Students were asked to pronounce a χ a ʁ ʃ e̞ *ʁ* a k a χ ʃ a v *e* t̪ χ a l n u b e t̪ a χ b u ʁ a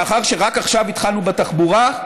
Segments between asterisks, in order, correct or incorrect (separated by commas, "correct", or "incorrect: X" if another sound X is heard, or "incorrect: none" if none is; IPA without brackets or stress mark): correct, incorrect: i